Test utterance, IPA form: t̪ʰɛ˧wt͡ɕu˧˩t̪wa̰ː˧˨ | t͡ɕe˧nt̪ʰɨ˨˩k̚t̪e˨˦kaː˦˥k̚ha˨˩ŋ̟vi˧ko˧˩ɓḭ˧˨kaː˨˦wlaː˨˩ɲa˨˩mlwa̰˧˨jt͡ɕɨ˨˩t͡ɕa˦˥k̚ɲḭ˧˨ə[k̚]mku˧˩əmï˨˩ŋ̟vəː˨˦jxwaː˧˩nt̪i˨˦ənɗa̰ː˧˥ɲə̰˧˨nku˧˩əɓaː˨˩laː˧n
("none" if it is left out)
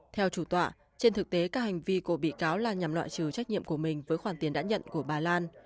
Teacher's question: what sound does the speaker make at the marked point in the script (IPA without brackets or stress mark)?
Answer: none